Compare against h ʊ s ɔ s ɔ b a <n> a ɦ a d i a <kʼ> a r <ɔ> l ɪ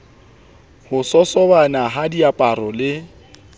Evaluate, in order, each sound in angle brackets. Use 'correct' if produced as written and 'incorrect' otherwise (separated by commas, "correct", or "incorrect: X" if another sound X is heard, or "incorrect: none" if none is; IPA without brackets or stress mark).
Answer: correct, incorrect: pʼ, correct